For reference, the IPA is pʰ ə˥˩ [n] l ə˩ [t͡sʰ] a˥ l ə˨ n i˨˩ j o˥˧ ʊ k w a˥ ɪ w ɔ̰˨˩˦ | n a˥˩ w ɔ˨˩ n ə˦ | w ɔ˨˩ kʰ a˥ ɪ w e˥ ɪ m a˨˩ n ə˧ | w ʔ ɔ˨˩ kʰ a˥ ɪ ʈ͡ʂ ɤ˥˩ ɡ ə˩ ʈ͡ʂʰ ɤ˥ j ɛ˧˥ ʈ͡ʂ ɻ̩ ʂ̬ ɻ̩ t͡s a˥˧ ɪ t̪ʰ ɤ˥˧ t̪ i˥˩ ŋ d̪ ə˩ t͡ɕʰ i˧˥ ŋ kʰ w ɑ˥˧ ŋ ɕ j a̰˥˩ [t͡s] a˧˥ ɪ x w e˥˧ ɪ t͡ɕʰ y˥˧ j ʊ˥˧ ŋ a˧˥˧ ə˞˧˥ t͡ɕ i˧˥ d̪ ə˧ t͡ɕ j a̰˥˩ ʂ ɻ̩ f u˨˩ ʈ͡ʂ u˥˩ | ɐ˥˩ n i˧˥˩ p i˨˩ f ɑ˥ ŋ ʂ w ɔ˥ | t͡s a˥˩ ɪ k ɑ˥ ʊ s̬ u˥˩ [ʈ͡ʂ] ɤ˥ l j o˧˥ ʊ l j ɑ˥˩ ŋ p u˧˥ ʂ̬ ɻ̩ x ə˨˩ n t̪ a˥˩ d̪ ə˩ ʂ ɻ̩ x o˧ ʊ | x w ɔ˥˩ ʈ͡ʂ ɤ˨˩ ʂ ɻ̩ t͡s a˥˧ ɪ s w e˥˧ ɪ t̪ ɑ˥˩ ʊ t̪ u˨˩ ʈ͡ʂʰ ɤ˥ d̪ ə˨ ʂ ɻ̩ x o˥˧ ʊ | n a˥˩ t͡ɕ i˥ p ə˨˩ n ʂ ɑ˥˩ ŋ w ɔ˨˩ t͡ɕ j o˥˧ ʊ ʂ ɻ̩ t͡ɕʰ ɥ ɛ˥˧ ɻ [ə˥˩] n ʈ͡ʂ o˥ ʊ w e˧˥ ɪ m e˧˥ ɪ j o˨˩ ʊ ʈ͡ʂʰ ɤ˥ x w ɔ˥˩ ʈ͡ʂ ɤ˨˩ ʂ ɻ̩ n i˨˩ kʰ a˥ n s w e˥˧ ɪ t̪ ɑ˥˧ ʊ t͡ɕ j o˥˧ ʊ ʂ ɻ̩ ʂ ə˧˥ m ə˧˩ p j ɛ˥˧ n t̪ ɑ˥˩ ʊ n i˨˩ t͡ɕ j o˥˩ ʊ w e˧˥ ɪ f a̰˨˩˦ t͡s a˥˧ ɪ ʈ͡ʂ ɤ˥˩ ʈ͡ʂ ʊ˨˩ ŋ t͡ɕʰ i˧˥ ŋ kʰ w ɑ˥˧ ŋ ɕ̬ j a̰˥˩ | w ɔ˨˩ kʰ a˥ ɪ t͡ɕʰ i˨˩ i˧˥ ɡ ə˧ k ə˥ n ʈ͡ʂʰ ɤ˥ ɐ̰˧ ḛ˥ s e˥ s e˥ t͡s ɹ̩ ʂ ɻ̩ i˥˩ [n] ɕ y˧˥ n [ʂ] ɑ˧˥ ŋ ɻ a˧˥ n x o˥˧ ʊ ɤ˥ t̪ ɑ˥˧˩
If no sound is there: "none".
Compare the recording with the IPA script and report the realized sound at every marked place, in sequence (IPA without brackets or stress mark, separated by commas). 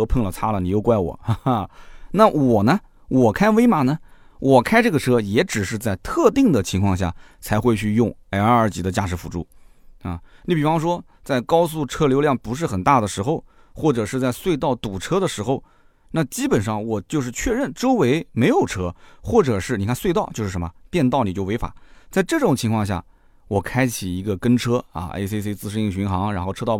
ŋ, t͡sʰ, t͡sʰ, ʈ͡ʂʰ, ə˥˩, ŋ, x